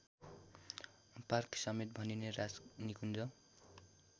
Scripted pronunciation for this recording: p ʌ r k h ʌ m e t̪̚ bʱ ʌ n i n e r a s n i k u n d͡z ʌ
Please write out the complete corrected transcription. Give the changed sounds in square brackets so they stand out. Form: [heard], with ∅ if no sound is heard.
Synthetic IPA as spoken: p [a] r k [s] ʌ m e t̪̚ bʱ ʌ n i n e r a s n i k u n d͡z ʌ